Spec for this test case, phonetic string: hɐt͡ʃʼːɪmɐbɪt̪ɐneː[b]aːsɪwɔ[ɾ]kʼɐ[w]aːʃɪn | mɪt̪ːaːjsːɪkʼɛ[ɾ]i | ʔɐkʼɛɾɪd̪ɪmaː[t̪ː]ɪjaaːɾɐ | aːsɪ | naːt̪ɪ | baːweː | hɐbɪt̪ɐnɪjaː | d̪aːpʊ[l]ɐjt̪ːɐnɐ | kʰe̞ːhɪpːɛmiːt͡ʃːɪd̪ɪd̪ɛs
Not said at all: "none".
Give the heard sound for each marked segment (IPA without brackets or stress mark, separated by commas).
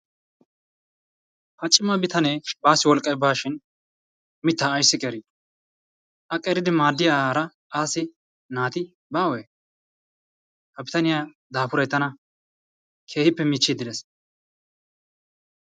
b, l, b, ɾ, d̪ː, ɾ